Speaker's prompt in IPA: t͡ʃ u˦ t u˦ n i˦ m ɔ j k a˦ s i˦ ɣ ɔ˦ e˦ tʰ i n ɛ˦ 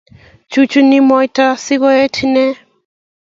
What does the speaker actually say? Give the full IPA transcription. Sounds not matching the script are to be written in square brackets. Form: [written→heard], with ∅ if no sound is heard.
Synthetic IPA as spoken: t͡ʃ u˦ [t→t͡ʃ] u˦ n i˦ m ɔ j [k→t] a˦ s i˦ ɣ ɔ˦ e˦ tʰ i n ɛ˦